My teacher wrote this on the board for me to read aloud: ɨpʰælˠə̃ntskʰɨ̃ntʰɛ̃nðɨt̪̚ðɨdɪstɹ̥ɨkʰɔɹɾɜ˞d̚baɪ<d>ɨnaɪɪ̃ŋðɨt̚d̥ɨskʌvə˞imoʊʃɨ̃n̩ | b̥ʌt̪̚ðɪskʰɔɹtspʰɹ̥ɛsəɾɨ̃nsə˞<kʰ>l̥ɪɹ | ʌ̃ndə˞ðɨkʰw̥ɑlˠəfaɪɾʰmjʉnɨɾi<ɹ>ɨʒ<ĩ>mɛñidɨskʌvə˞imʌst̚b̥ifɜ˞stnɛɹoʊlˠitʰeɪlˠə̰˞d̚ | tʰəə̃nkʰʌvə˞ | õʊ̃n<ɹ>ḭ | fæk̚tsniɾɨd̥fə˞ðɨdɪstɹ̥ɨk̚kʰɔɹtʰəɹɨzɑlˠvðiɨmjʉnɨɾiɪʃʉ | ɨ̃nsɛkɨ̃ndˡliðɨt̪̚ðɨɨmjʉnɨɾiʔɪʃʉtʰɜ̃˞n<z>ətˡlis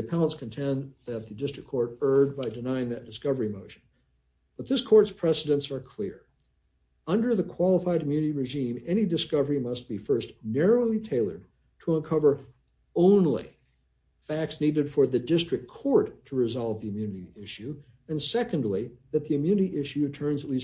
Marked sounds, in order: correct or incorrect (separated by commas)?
correct, correct, correct, correct, incorrect, correct